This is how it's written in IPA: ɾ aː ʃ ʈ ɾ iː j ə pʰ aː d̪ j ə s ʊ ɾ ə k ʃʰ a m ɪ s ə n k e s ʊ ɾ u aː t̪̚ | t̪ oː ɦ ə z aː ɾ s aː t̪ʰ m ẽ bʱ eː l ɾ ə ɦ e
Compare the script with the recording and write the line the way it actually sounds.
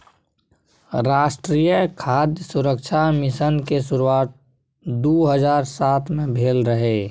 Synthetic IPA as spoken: ɾ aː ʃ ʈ ɾ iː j ə kʰ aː d̪ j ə s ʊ ɾ ə k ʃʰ a m ɪ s ə n k e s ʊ ɾ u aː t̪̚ | d̪ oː ɦ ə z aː ɾ s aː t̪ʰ m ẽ bʱ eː l ɾ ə ɦ e